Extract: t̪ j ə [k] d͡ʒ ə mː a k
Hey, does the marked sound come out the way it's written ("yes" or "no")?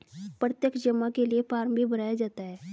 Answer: yes